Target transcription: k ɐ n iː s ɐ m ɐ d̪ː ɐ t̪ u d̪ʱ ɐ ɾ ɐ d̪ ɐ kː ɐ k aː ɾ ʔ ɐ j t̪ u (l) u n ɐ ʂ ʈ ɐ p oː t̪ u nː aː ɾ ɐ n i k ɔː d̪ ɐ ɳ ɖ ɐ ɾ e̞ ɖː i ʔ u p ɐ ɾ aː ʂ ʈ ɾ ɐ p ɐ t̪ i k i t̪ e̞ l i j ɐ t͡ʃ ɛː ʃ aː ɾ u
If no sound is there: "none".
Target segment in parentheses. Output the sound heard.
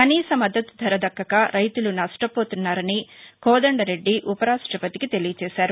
l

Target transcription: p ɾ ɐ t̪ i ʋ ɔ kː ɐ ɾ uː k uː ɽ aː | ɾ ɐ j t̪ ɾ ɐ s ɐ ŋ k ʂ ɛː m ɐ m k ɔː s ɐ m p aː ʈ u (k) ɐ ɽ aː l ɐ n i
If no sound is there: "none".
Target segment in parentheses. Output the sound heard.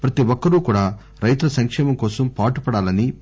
p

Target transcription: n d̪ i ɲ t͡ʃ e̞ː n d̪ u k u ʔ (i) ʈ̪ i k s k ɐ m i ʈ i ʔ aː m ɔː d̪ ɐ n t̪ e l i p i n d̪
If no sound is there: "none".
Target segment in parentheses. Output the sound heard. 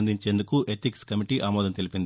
e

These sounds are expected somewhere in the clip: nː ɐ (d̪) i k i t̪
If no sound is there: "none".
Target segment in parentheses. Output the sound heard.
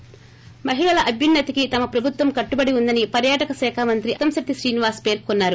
t̪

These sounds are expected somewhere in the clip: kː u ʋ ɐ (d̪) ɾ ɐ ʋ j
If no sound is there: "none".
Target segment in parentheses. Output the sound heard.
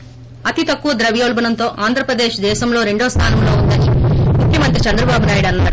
d̪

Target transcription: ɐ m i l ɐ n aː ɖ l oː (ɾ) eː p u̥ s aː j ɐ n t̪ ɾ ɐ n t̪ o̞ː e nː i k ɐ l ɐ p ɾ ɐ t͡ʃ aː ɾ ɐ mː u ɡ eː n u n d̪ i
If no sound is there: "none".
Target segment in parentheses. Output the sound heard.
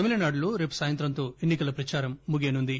ɾ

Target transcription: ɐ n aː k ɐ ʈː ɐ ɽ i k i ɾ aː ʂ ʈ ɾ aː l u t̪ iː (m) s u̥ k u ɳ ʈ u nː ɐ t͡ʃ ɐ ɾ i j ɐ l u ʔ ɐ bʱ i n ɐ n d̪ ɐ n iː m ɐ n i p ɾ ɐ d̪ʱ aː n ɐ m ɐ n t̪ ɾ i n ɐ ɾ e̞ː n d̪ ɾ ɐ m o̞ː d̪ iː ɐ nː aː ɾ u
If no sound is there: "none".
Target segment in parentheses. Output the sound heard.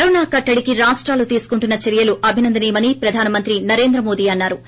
none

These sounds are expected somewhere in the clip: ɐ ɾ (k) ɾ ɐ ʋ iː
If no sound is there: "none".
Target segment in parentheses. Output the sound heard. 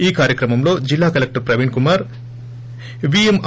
p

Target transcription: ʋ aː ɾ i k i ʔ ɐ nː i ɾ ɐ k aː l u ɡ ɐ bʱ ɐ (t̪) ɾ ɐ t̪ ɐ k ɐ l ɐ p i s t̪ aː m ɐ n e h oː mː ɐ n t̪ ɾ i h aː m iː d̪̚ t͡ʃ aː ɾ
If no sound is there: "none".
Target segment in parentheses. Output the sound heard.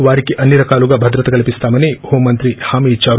d̪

